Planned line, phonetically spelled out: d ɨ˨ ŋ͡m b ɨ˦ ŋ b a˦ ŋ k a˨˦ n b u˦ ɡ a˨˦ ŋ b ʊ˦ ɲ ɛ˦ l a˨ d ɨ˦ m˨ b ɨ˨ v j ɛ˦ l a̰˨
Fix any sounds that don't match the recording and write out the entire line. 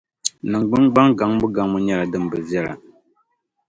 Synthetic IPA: n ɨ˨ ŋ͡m ɡ͡b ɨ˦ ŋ ɡ͡b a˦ ŋ ɡ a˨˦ ŋ b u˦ ɡ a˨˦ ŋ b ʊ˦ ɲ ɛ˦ l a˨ d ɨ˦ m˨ b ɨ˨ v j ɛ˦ l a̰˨